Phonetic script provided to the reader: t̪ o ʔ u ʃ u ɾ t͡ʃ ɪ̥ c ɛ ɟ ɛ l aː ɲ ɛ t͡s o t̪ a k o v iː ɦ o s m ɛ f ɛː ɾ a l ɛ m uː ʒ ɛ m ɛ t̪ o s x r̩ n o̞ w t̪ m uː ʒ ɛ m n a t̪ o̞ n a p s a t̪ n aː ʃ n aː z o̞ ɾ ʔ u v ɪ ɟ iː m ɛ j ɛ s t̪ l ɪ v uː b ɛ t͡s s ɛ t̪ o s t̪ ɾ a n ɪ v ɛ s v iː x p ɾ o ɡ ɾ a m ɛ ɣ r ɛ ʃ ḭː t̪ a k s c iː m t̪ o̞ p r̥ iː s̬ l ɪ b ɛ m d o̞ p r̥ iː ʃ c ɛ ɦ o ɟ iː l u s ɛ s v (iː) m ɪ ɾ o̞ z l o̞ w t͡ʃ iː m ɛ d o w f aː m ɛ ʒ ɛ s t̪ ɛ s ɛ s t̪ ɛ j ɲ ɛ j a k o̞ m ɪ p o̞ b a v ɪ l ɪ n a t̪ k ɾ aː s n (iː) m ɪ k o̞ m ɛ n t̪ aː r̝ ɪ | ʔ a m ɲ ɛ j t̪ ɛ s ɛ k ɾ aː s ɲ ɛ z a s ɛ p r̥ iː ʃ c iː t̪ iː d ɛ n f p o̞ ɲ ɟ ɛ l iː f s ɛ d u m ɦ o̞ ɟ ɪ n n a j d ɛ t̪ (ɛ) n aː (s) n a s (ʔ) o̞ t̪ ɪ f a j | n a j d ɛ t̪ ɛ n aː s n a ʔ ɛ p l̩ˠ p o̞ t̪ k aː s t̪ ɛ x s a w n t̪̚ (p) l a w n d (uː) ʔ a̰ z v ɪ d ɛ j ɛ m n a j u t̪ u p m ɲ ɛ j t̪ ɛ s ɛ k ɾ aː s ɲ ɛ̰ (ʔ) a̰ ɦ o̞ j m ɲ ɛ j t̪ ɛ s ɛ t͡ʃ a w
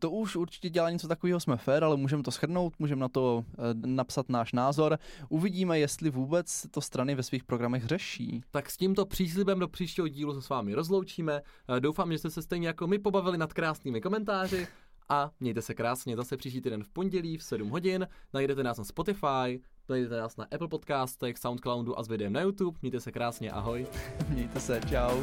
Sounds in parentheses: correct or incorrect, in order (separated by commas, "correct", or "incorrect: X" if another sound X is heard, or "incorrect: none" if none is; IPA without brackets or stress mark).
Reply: incorrect: aː, correct, correct, correct, incorrect: p, incorrect: k, incorrect: u, correct